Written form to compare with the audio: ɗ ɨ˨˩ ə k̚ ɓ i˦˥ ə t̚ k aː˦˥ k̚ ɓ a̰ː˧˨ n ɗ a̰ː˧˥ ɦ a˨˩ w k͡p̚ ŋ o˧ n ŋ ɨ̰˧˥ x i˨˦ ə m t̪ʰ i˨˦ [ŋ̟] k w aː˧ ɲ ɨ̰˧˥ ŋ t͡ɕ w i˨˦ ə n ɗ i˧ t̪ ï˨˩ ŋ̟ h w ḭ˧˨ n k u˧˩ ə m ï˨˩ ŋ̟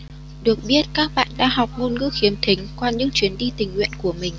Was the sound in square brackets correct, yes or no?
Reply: yes